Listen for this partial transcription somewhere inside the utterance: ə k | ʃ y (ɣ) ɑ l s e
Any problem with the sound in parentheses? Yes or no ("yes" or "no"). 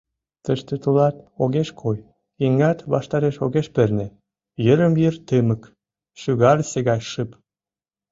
no